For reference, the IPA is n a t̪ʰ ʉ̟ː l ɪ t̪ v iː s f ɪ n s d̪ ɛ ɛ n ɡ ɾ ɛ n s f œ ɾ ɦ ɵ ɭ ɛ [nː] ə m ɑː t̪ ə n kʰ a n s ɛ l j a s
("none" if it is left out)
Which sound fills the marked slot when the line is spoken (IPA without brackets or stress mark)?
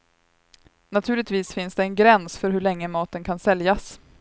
ŋː